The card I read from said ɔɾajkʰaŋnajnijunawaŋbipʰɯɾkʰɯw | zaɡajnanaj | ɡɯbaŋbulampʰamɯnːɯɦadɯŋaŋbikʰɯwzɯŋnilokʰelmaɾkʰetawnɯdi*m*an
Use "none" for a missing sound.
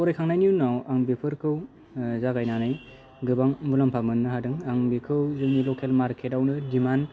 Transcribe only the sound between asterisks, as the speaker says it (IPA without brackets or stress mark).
m